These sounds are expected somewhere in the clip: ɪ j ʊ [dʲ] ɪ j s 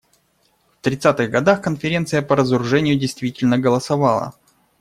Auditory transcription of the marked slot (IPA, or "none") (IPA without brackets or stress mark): dʲ